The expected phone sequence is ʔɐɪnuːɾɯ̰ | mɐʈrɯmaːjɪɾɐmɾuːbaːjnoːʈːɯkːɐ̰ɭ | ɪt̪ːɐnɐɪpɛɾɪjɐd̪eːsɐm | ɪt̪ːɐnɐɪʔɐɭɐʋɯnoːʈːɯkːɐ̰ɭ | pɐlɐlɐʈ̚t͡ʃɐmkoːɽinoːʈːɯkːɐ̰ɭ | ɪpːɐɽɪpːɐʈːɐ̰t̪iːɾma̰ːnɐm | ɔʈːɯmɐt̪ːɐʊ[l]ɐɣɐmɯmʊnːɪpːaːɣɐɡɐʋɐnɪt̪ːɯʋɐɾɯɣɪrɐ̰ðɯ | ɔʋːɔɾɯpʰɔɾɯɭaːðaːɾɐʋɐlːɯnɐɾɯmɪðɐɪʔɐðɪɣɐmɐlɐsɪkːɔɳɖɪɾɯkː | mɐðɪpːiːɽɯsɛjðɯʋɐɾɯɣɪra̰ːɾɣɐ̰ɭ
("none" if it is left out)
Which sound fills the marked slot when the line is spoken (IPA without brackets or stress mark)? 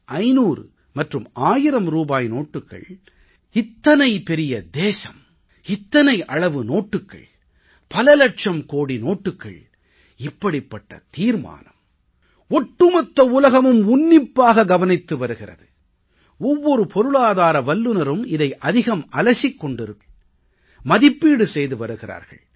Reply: l